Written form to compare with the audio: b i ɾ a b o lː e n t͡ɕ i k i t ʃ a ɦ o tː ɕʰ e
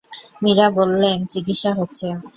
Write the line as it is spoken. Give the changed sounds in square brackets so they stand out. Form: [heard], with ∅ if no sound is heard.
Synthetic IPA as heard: [m] i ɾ a b o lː e n t͡ɕ i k i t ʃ a ɦ o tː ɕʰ e